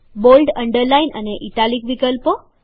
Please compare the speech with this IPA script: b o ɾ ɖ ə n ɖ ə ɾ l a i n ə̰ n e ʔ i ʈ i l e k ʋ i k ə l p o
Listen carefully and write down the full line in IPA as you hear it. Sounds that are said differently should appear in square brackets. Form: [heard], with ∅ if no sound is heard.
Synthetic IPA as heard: b o [l] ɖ ə [ɳ] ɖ ə ɾ l a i n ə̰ n e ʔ i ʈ [a] l [i] k ʋ i k ə l p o